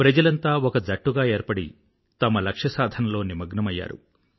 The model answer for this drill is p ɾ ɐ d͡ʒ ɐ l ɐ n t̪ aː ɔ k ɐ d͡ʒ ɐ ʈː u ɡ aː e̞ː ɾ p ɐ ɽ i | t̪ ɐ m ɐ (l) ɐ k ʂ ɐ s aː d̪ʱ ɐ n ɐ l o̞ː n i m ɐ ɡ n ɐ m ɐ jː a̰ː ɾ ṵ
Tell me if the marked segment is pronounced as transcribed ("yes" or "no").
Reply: yes